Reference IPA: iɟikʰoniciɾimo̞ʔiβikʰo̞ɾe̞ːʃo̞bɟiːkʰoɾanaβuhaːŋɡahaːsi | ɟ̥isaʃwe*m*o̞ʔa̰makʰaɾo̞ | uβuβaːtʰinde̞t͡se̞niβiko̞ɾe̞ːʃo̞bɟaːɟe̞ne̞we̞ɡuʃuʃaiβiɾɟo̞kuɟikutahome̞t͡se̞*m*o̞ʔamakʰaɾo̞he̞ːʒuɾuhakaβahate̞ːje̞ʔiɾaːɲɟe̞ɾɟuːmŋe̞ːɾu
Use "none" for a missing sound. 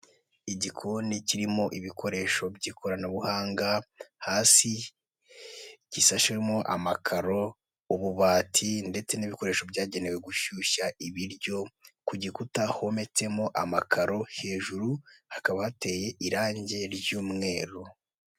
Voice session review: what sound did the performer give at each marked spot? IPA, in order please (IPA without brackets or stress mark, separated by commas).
m, m